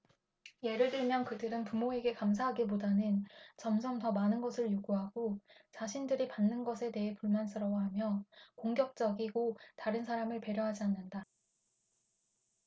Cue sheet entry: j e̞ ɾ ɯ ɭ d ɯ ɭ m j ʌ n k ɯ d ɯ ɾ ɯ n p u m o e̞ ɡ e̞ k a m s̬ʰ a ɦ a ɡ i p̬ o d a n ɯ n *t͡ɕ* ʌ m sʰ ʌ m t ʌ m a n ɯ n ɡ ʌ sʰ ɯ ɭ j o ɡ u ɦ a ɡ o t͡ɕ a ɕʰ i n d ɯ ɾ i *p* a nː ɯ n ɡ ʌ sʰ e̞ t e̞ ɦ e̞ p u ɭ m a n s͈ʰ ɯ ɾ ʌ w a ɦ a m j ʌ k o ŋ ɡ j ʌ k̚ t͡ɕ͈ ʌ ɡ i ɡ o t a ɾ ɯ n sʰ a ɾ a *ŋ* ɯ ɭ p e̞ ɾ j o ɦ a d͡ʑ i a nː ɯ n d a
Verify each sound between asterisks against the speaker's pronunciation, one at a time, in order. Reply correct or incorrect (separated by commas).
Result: correct, correct, incorrect